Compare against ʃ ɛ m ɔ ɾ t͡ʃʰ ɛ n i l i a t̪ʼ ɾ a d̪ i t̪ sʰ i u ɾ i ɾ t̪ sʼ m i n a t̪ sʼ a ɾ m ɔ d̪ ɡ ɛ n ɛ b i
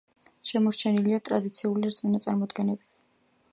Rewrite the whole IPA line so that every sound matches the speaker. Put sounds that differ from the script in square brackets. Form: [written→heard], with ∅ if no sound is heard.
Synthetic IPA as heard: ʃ ɛ m ɔ ɾ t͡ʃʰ ɛ n i l i a t̪ʼ ɾ a d̪ i t̪ sʰ i u [ɾ→l] i ɾ t̪ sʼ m i n a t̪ sʼ a ɾ m ɔ d̪ ɡ ɛ n ɛ b i